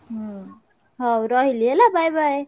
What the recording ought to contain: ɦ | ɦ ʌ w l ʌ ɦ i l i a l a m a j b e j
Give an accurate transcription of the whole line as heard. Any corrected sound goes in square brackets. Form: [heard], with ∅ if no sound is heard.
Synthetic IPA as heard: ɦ | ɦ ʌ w [ɾ] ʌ ɦ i l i [e] l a [b] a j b [a] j

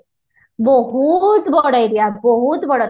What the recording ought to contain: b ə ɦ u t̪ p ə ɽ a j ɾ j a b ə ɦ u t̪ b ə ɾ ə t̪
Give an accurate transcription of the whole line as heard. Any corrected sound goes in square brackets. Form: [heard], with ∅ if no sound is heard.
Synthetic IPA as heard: b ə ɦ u t̪ [b] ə ɽ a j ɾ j a b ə ɦ u t̪ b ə [ɽ] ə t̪

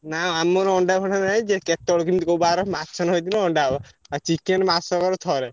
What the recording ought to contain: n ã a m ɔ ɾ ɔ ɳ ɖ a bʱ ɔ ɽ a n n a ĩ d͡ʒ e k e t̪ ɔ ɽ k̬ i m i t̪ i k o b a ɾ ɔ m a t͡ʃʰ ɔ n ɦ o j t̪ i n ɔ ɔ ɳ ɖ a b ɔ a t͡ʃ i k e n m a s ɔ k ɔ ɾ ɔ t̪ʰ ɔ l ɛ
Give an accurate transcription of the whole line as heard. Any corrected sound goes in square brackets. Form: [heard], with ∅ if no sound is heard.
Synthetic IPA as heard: n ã a m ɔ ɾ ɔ ɳ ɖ a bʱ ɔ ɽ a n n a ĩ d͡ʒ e k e t̪ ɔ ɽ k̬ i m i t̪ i k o b a ɾ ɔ m a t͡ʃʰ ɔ n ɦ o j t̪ i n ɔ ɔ ɳ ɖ a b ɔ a t͡ʃ i k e n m a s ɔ k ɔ ɾ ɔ t̪ʰ ɔ [ɾ] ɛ

